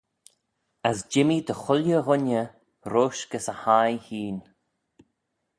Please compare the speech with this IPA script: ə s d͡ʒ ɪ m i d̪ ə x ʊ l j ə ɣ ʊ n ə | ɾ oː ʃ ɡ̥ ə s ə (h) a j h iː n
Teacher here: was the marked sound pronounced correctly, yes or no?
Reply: yes